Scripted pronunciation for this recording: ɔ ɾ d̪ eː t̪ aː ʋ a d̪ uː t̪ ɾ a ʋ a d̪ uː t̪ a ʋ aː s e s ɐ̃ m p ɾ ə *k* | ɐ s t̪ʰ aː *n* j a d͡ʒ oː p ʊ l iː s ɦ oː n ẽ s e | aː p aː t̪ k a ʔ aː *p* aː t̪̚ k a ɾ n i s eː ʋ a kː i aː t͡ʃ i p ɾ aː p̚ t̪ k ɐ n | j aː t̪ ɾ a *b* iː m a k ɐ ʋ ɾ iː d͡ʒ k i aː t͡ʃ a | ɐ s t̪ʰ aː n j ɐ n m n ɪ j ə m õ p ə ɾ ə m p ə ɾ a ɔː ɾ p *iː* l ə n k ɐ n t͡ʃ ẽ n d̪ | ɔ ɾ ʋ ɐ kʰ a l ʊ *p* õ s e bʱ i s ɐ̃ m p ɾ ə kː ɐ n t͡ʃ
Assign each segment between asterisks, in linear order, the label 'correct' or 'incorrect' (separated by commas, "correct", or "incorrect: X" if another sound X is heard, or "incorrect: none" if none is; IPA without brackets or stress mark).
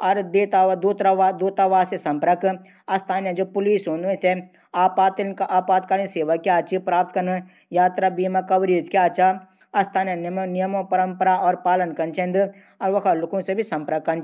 correct, correct, correct, correct, incorrect: aː, incorrect: k